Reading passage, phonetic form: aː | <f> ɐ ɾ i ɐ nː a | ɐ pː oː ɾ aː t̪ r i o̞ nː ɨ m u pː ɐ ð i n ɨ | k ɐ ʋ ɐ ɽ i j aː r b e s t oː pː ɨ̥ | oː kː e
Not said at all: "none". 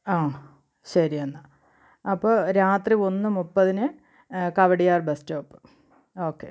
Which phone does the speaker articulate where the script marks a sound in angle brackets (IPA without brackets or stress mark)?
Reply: ɕ